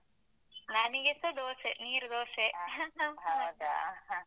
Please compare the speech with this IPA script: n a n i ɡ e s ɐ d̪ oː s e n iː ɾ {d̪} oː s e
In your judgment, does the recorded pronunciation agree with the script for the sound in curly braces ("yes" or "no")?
yes